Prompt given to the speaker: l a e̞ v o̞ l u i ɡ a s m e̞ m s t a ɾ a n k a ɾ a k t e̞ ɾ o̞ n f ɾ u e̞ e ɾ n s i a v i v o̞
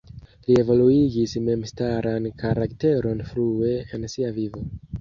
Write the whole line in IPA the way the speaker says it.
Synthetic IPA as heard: l i e̞ v o̞ l u i ɡ i s m e̞ m s t a ɾ a n k a ɾ a k t e̞ ɾ o̞ n f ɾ u e̞ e n s i a v i v o̞